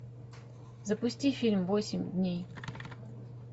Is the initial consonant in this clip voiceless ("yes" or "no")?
no